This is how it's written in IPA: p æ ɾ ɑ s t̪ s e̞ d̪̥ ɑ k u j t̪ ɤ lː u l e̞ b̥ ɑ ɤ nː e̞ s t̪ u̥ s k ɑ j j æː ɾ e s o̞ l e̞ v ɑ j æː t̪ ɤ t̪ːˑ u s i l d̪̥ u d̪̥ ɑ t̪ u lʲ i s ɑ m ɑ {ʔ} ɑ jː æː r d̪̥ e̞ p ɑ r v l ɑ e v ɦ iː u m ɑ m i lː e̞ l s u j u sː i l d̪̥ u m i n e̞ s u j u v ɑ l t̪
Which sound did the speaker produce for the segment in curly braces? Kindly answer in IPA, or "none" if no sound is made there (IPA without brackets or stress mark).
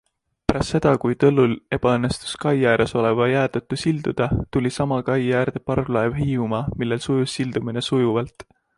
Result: k